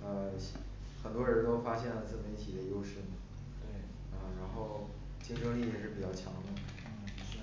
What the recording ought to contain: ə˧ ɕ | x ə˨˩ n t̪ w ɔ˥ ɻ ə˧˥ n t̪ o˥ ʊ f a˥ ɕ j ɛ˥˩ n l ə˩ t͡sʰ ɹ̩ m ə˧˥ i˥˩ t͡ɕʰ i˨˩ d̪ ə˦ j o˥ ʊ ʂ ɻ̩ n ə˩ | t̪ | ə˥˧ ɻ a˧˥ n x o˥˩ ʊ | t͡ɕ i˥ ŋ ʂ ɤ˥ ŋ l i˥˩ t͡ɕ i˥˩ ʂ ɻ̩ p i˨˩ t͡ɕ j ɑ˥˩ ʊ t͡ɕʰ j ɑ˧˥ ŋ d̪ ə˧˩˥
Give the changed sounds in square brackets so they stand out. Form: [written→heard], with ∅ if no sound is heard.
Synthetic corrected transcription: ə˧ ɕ | x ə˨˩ n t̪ w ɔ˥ ɻ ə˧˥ n t̪ o˥ ʊ f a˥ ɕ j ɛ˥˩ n l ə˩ [t͡sʰ→t͡s] ɹ̩ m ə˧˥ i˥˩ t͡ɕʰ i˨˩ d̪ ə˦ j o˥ ʊ ʂ ɻ̩ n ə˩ | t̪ | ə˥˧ ɻ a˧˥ n x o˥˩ ʊ | t͡ɕ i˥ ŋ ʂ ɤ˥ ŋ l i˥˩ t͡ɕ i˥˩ ʂ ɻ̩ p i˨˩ t͡ɕ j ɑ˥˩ ʊ t͡ɕʰ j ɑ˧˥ ŋ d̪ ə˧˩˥

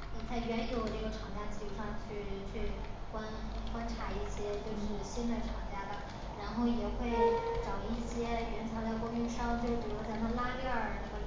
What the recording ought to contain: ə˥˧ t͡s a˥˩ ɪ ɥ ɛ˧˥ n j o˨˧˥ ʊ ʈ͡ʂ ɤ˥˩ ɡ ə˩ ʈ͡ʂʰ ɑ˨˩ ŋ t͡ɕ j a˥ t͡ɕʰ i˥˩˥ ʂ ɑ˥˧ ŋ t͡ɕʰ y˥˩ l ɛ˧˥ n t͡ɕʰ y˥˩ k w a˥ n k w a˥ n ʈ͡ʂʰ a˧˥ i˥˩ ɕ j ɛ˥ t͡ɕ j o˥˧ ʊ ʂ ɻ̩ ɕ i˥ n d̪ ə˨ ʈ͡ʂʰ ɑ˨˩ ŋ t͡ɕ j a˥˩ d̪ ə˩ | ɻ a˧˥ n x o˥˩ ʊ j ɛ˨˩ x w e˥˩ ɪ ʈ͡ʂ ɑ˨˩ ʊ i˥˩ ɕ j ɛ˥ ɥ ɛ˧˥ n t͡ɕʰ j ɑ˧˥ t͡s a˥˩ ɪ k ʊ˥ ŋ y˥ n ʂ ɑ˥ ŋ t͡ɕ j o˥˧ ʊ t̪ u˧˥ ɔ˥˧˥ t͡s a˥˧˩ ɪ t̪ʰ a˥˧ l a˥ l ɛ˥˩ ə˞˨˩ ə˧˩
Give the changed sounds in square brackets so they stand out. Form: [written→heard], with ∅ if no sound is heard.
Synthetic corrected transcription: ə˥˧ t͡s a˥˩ ɪ ɥ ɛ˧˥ n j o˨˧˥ ʊ ʈ͡ʂ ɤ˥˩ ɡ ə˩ ʈ͡ʂʰ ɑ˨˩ ŋ t͡ɕ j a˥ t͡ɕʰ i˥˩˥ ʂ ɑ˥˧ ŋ t͡ɕʰ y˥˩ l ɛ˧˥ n t͡ɕʰ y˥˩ k w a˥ n k w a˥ n ʈ͡ʂʰ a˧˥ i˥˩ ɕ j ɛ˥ t͡ɕ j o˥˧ ʊ ʂ ɻ̩ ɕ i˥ n d̪ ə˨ ʈ͡ʂʰ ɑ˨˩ ŋ t͡ɕ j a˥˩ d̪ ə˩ | ɻ a˧˥ n x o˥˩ ʊ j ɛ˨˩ x w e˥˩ ɪ ʈ͡ʂ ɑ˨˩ ʊ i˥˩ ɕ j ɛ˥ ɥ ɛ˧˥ n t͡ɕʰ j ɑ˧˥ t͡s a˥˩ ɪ k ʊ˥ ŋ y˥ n ʂ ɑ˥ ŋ t͡ɕ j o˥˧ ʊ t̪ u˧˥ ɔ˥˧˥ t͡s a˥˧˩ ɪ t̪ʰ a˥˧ l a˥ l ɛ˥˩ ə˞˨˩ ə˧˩

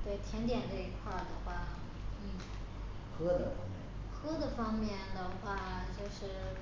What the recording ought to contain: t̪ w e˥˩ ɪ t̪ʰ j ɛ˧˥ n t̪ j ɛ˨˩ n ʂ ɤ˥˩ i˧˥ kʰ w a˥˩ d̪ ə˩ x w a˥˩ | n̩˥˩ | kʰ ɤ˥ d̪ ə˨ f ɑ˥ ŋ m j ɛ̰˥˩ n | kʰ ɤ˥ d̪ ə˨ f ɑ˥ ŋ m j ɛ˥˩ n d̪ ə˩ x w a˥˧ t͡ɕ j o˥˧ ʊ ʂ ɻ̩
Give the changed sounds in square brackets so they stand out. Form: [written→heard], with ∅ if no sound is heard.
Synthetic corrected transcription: t̪ w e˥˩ ɪ t̪ʰ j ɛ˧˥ n t̪ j ɛ˨˩ n [ʂ→ʈ͡ʂ] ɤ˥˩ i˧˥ kʰ w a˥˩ d̪ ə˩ x w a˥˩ | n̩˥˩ | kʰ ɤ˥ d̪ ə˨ f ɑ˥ ŋ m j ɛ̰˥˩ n | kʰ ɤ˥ d̪ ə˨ f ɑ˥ ŋ m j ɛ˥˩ n d̪ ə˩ x w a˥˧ t͡ɕ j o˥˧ ʊ ʂ ɻ̩

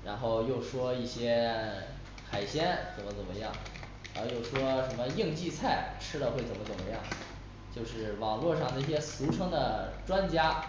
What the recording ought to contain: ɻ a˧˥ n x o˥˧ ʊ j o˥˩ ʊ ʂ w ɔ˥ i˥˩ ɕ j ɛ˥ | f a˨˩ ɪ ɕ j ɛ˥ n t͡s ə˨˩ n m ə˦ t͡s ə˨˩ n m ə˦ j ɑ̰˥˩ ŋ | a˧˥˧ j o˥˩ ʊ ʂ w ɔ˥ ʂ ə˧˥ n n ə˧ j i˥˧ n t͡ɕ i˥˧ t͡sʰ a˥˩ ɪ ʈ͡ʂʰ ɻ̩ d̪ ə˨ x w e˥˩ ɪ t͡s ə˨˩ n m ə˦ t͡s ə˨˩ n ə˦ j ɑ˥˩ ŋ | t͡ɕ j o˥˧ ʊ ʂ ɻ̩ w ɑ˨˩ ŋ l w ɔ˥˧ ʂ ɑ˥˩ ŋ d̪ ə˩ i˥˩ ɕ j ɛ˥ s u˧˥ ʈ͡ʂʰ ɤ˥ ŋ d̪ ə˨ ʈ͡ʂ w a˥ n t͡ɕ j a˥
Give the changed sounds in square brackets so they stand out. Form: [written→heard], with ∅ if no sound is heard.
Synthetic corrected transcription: ɻ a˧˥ n x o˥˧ ʊ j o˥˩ ʊ ʂ w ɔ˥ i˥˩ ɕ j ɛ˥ | [f→x] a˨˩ ɪ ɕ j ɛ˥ n t͡s ə˨˩ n m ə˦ t͡s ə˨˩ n m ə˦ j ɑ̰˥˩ ŋ | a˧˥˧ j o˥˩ ʊ ʂ w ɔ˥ ʂ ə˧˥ n [n→m] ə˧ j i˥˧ [n→ŋ] t͡ɕ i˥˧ t͡sʰ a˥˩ ɪ ʈ͡ʂʰ ɻ̩ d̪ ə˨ x w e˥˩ ɪ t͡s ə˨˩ n m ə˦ t͡s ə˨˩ [n→m] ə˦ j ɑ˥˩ ŋ | t͡ɕ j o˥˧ ʊ ʂ ɻ̩ w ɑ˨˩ ŋ l w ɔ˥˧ ʂ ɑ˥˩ ŋ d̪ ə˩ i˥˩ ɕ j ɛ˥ s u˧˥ ʈ͡ʂʰ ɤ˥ ŋ d̪ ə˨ ʈ͡ʂ w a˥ n t͡ɕ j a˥

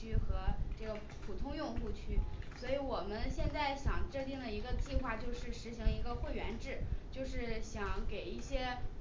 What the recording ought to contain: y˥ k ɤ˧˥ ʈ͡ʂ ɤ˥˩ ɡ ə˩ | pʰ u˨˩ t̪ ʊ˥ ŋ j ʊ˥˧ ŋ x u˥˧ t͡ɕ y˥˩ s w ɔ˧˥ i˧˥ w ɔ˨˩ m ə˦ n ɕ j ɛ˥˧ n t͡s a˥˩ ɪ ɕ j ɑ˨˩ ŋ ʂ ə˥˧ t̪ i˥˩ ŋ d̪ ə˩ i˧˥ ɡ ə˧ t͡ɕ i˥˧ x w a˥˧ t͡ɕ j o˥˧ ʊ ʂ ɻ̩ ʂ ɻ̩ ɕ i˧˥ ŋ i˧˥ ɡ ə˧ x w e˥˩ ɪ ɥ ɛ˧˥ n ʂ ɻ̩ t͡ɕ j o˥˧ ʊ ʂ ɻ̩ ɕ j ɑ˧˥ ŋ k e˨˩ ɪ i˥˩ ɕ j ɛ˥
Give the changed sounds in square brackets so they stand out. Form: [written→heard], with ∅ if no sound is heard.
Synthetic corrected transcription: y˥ [k→x] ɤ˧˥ ʈ͡ʂ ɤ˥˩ ɡ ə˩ | pʰ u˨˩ [t̪→t̪ʰ] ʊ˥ ŋ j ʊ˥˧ ŋ x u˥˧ [t͡ɕ→t͡ɕʰ] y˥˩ s w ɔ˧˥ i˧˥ w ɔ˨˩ m ə˦ n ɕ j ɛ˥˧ n t͡s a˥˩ ɪ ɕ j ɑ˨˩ ŋ [ʂ→ʈ͡ʂ] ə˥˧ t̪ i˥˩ ŋ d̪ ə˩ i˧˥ ɡ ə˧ t͡ɕ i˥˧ x w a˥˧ t͡ɕ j o˥˧ ʊ ʂ ɻ̩ ʂ ɻ̩ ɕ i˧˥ ŋ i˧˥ ɡ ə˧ x w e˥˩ ɪ ɥ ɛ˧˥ n [ʂ→ʈ͡ʂ] ɻ̩ t͡ɕ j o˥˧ ʊ ʂ ɻ̩ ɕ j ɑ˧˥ ŋ k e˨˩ ɪ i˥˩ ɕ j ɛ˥

